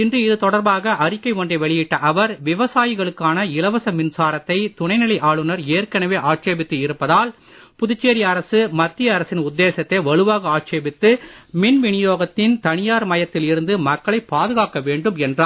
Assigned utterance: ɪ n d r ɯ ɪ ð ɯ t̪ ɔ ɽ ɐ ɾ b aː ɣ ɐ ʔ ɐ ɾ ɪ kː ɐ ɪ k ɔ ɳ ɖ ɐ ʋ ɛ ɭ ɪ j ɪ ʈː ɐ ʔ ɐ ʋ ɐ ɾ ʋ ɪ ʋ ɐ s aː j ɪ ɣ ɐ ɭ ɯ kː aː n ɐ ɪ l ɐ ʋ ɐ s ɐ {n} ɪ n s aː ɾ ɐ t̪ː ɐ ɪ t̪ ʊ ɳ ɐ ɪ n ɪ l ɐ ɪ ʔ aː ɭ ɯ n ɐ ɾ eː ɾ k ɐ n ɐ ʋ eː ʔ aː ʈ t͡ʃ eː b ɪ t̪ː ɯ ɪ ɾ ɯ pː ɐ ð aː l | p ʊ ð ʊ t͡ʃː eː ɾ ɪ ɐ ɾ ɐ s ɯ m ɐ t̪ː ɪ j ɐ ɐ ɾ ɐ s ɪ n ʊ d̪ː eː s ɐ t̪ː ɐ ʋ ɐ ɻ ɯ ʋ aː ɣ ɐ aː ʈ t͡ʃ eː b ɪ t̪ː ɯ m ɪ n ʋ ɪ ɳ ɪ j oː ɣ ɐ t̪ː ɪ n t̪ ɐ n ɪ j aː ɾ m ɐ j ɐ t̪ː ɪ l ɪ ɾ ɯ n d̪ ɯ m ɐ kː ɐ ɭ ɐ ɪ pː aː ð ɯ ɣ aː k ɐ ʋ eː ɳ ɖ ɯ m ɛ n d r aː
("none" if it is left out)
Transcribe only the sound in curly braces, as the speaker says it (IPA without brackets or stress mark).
m